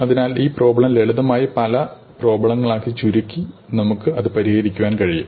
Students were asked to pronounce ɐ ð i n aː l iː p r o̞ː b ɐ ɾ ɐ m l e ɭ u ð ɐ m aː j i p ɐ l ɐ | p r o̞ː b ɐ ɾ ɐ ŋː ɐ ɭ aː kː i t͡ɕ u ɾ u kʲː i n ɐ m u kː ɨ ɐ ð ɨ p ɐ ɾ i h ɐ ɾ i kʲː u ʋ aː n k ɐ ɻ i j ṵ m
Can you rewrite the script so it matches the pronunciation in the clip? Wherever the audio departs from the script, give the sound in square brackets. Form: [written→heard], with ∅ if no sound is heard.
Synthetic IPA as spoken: ɐ ð i n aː l iː p r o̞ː b ɐ [ɾ→ɭ] ɐ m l e ɭ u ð ɐ m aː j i p ɐ l ɐ | p r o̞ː b ɐ [ɾ→ɭ] ɐ ŋː ɐ ɭ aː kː i t͡ɕ u ɾ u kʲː i n ɐ m u kː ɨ ɐ ð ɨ p ɐ ɾ i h ɐ ɾ i kʲː u ʋ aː n k ɐ ɻ i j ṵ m